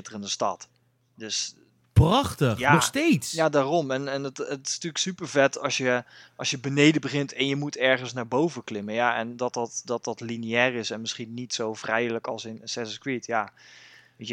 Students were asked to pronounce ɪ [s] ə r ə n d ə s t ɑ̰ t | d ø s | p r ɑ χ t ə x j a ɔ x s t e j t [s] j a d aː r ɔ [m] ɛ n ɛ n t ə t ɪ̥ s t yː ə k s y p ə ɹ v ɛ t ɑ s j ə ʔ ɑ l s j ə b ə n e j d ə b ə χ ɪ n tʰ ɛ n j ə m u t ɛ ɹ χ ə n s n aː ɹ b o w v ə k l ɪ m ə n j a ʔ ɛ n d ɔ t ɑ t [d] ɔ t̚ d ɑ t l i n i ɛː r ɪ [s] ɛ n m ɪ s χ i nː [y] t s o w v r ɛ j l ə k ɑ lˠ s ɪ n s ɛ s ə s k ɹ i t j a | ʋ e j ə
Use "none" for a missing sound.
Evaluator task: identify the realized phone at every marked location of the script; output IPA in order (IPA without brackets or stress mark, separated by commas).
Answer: t, s, m, d, s, i